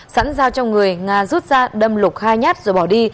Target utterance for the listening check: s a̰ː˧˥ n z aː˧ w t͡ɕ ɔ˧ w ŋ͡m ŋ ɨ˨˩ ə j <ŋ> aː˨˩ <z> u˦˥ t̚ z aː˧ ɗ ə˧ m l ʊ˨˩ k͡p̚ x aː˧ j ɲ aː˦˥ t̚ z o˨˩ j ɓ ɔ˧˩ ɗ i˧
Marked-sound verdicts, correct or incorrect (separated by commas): correct, correct